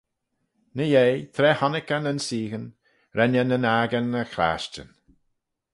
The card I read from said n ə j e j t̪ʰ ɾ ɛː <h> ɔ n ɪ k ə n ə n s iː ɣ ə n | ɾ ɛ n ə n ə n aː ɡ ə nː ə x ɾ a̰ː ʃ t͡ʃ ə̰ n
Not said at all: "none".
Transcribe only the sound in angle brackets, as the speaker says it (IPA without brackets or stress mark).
h